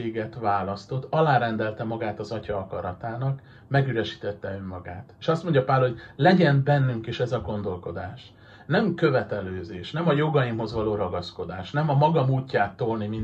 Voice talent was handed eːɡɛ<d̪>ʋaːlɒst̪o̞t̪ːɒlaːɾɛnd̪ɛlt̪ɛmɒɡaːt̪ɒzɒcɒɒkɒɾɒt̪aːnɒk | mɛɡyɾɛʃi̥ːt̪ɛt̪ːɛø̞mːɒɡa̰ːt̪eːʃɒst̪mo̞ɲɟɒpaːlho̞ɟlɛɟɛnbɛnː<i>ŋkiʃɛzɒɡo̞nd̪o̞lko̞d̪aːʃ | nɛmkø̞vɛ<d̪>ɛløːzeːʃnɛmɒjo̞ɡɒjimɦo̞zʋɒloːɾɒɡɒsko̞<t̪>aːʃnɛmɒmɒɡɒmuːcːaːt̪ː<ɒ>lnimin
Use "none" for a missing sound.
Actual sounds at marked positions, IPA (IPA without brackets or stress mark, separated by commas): t̪, y, t̪, d̪, o